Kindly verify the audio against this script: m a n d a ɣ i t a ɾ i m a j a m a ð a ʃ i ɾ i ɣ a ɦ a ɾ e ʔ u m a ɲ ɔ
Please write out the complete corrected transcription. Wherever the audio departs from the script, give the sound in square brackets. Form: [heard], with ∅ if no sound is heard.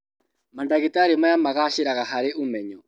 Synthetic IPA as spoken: m a n d a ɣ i t a ɾ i m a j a m a [ɣ] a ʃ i ɾ [a] ɣ a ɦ a ɾ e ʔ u m [ɛ] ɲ ɔ